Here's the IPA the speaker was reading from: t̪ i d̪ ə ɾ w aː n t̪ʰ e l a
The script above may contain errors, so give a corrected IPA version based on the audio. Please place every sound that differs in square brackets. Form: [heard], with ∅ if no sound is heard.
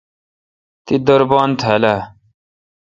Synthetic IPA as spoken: t̪ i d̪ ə ɾ [b] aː n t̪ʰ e l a